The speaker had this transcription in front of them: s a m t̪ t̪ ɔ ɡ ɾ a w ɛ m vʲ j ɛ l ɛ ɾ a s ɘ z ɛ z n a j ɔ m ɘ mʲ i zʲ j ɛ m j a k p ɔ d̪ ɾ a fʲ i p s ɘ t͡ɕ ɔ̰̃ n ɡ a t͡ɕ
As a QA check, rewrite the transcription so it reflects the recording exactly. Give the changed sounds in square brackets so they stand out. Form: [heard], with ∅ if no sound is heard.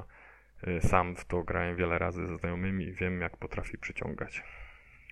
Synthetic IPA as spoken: s a m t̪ t̪ ɔ ɡ ɾ a w ɛ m vʲ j ɛ l ɛ ɾ a [z] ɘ z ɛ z n a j ɔ m ɘ mʲ i [vʲ] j ɛ m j a k p ɔ [t̪] ɾ a fʲ i p [ʂ] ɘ t͡ɕ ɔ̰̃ [ŋ] ɡ a t͡ɕ